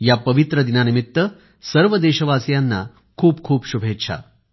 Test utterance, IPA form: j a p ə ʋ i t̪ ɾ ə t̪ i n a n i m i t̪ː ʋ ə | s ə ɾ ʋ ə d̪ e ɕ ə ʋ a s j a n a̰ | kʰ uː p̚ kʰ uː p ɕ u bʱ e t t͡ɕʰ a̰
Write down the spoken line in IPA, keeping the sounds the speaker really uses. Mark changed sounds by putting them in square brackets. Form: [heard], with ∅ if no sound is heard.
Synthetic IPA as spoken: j a p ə ʋ i t̪ ɾ ə [d̪] i n a n i m i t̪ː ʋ ə | s ə ɾ ʋ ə d̪ e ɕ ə ʋ a s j a [nː] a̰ | kʰ uː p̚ kʰ uː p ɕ u bʱ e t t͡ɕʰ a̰